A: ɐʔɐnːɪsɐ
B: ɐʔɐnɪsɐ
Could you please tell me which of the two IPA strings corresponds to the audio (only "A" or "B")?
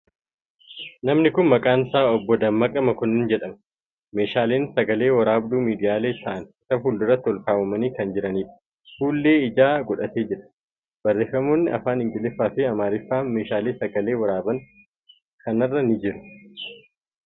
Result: B